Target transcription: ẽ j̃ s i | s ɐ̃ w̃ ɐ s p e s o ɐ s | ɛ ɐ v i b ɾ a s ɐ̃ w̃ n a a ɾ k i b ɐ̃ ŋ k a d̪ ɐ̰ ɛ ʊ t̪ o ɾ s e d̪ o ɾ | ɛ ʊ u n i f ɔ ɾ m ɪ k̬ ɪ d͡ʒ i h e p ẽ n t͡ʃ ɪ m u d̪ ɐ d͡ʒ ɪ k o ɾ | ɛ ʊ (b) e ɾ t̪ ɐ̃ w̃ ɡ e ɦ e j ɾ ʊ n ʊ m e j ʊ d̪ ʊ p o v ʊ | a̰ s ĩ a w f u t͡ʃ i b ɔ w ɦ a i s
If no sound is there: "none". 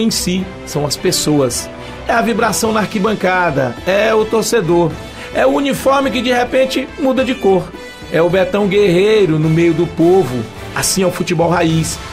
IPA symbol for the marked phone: b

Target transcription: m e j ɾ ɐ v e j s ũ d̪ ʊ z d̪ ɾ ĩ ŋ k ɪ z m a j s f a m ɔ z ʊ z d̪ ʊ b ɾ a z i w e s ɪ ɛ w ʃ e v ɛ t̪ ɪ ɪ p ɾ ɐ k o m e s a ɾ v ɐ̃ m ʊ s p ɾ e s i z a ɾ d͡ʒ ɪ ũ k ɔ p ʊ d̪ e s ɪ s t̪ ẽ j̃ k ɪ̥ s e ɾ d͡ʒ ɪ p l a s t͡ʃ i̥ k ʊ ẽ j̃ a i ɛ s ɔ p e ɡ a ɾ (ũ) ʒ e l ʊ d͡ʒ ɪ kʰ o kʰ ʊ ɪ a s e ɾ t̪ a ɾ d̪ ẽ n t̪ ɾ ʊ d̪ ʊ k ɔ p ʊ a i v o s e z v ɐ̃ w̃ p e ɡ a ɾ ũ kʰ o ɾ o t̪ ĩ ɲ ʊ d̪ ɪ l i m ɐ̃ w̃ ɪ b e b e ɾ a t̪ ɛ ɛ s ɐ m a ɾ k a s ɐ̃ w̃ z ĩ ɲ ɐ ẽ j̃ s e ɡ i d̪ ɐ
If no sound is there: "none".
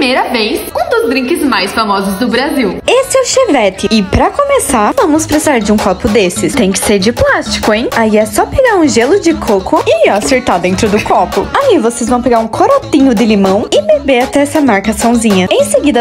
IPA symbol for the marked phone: ũ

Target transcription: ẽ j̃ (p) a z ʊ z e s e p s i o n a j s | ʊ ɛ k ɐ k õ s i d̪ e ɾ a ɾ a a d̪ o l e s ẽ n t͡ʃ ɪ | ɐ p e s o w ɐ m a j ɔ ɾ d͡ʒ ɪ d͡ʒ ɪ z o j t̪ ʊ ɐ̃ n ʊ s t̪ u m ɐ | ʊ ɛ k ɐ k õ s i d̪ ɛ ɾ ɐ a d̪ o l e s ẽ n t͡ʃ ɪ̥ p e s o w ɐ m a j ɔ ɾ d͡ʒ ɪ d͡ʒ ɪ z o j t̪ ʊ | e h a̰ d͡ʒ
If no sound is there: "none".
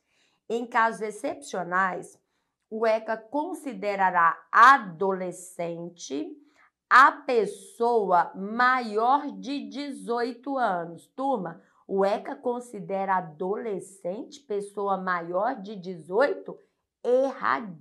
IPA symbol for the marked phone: k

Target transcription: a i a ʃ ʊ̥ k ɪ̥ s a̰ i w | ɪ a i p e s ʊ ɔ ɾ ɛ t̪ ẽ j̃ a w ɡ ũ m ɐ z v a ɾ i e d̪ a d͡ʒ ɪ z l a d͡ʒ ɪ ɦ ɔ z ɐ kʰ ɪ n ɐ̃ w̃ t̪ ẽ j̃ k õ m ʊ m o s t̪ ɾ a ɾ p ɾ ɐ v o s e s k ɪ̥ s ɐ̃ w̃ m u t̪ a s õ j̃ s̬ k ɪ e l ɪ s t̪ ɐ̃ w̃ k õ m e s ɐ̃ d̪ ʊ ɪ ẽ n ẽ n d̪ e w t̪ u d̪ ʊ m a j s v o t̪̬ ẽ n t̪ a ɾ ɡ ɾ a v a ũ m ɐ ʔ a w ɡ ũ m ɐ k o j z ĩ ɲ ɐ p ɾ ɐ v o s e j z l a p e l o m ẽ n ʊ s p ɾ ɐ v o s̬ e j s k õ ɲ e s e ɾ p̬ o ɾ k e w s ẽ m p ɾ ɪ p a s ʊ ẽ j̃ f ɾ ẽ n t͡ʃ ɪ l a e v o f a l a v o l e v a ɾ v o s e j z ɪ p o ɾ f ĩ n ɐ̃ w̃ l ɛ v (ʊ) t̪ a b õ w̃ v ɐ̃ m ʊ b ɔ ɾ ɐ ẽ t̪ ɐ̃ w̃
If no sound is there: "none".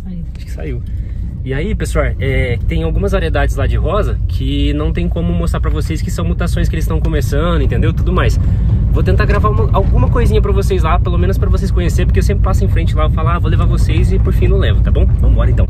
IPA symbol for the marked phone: ʊ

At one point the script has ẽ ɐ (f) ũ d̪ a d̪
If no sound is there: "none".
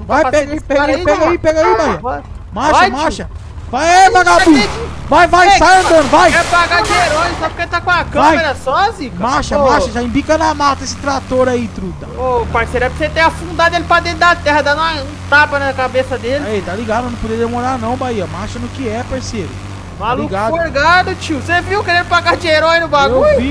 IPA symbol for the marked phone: f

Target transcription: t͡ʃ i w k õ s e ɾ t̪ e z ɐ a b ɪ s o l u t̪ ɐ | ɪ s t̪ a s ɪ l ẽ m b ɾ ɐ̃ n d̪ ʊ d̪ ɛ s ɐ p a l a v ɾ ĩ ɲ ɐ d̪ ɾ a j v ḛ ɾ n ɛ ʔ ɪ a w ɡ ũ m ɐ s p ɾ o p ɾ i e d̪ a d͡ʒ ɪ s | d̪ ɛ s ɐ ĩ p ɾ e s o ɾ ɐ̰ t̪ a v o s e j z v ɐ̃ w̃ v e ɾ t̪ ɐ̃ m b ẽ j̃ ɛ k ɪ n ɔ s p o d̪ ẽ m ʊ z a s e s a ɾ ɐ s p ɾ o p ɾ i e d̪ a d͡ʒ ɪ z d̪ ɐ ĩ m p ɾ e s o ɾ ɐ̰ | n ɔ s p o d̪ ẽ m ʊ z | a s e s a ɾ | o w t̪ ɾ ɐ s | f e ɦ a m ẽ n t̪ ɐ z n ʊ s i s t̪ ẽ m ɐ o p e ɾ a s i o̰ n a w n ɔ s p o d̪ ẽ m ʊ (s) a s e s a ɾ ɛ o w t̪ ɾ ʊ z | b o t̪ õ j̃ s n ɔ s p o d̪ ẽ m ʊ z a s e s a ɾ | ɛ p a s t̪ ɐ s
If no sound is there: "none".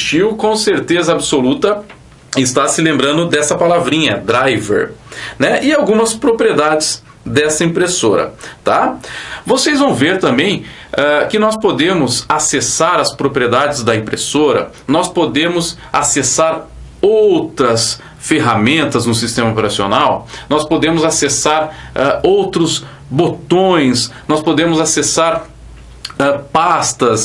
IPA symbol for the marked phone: z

